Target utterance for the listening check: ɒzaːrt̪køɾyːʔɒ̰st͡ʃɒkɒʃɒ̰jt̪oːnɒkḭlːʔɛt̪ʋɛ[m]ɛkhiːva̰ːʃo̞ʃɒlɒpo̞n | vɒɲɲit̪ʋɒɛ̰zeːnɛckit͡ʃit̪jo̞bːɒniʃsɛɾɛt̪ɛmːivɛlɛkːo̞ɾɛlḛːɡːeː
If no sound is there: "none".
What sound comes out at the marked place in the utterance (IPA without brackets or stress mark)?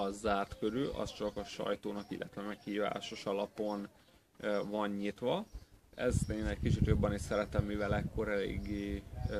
m